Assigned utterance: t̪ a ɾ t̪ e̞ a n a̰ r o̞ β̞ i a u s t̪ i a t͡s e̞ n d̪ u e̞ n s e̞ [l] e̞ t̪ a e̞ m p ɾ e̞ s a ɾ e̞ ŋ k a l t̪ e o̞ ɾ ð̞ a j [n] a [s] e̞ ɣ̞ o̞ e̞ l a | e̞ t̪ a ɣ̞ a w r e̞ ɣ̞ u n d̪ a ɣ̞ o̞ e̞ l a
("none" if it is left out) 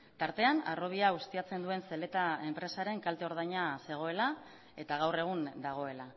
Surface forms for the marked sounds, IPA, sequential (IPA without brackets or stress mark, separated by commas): l, ɲ, s